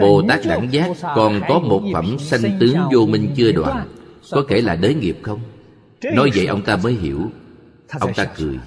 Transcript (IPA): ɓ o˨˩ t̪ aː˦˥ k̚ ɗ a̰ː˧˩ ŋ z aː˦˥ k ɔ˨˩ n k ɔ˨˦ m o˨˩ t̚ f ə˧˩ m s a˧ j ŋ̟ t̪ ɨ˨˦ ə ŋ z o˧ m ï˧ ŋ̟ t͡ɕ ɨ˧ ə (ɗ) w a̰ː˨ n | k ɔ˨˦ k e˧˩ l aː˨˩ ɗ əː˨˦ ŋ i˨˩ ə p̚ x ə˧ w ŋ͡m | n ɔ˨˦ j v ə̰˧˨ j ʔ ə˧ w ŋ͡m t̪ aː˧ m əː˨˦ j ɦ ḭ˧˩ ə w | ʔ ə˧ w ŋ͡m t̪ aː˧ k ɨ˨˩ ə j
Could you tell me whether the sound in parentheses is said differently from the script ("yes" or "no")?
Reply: no